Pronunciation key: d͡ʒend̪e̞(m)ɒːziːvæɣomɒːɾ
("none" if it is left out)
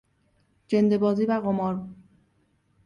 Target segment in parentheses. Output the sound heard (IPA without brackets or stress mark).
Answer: b